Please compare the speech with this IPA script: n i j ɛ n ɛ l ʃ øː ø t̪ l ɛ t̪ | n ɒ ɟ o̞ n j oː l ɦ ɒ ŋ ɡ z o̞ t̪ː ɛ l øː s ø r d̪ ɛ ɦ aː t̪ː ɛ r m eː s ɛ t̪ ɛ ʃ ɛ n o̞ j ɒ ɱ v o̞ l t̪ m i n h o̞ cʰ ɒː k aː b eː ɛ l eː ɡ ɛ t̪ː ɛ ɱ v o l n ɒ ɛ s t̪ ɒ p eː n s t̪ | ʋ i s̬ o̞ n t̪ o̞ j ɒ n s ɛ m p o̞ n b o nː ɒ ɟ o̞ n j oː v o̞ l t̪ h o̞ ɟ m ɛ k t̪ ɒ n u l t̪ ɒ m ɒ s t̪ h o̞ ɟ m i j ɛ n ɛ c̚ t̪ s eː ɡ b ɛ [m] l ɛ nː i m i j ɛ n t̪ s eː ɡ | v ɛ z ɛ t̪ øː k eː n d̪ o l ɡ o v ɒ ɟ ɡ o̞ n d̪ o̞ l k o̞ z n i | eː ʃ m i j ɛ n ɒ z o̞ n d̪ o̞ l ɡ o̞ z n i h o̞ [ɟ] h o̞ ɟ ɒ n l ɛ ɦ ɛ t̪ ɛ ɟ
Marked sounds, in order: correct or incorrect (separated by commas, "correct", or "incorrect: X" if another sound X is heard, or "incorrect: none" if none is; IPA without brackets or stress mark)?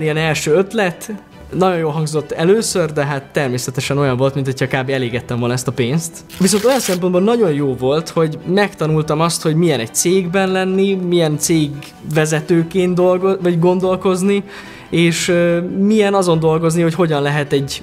incorrect: n, incorrect: c